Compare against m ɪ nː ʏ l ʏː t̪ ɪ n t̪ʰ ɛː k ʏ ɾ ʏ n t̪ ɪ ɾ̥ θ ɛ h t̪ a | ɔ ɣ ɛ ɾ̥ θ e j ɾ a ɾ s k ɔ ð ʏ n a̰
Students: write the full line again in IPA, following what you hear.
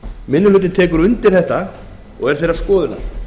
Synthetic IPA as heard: m ɪ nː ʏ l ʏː t̪ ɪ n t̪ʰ ɛː k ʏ ɾ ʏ n t̪ ɪ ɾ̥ θ ɛ h t̪ a | ɔ ɣ ɛ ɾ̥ θ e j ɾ a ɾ s k ɔː ð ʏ n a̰